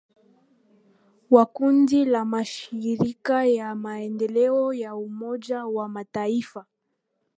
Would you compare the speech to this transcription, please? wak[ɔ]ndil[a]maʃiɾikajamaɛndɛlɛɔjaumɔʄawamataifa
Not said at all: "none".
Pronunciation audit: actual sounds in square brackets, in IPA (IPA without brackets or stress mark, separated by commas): u, a